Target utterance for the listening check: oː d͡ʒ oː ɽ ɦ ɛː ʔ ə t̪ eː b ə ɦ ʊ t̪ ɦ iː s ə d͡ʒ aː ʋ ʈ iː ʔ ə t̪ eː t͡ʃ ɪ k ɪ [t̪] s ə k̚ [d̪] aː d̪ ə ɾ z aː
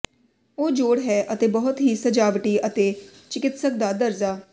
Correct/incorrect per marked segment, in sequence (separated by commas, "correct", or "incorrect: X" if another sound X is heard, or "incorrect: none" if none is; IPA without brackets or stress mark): correct, correct